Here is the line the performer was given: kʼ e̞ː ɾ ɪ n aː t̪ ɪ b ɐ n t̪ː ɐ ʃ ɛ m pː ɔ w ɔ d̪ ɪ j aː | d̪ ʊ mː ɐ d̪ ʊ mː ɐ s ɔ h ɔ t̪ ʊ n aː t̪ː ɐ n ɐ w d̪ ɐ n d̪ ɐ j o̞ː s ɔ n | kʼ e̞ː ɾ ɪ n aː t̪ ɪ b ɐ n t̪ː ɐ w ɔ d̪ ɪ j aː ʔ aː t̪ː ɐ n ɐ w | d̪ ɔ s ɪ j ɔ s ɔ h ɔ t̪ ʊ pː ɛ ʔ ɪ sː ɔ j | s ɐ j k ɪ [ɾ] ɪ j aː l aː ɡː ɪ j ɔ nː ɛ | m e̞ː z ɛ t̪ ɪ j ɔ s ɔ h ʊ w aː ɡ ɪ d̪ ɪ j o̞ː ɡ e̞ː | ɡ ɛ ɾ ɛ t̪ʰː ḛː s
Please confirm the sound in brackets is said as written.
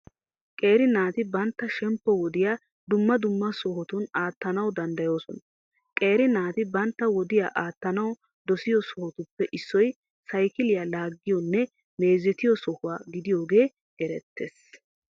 no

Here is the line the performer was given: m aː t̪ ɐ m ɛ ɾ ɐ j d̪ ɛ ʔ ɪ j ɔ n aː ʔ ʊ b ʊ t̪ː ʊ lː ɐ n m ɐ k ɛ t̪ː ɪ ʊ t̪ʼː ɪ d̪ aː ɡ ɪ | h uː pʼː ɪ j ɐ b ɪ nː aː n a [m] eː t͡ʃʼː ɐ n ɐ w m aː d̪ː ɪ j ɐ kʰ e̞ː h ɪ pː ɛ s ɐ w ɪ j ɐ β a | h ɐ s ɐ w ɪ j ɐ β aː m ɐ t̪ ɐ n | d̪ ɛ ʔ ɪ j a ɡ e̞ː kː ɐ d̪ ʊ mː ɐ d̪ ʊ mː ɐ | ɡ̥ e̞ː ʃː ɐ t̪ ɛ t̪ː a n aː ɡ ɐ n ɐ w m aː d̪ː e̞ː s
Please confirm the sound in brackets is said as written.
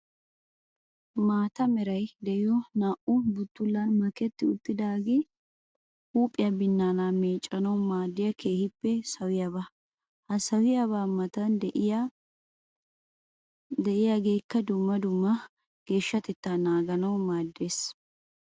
yes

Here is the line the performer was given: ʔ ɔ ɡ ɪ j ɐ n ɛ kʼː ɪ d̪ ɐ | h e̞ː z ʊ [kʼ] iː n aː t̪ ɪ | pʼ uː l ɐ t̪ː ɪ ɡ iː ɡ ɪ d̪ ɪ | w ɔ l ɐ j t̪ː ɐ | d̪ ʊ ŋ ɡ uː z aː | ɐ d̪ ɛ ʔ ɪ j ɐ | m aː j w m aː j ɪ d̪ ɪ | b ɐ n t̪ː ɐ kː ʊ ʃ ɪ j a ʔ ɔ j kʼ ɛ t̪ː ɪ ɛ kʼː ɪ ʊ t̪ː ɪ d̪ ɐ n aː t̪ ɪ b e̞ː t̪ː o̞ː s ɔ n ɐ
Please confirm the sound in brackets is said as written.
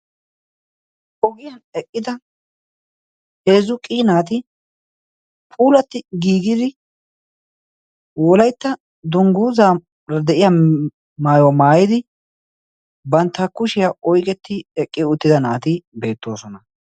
yes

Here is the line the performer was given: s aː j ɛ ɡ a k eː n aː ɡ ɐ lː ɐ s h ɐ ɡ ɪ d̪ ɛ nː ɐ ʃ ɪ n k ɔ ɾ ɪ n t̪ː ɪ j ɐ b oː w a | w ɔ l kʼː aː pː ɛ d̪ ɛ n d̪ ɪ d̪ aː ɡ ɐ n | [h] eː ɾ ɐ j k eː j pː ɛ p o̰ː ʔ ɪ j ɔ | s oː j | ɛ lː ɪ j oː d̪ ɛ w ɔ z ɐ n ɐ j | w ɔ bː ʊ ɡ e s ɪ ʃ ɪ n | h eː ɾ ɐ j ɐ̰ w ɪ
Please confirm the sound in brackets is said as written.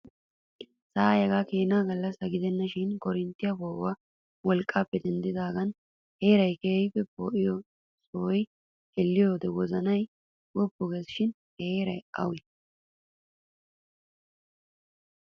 yes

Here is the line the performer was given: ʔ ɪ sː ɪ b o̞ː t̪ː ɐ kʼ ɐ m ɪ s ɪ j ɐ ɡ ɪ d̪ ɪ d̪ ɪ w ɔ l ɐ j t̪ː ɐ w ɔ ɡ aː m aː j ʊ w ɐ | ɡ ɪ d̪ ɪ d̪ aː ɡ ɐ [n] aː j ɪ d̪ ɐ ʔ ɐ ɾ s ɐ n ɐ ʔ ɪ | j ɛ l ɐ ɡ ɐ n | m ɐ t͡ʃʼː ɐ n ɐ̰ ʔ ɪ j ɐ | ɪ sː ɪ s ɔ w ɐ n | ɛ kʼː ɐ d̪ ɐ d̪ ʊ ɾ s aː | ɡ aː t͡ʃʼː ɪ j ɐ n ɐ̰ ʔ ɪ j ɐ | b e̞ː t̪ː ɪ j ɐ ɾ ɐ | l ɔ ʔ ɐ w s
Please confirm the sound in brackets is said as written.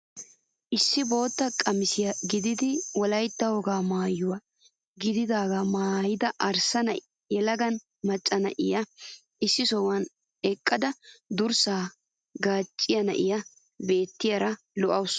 no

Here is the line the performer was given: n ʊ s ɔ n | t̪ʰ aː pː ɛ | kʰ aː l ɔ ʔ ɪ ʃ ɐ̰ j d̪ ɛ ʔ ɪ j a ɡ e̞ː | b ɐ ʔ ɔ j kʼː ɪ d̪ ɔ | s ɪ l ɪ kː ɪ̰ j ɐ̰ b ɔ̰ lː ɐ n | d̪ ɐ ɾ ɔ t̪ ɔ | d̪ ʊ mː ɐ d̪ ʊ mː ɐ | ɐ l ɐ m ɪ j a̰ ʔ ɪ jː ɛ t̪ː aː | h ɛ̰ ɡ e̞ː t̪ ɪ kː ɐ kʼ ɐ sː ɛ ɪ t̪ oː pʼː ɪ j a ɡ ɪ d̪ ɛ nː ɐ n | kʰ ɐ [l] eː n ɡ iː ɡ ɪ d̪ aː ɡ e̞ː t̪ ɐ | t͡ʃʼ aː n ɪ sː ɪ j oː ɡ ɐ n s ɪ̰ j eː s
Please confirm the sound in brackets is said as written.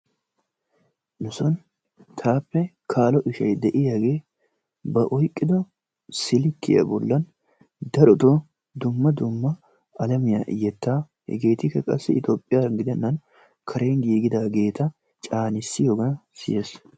no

